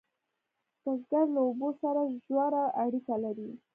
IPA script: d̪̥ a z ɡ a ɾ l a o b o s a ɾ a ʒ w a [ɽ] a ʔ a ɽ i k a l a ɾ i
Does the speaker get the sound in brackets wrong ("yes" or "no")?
yes